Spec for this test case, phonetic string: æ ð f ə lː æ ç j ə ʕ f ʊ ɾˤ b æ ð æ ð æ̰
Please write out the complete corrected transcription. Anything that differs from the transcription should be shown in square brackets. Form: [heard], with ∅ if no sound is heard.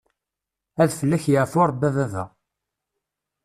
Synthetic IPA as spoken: æ ð f ə lː æ ç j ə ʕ f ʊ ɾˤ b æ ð æ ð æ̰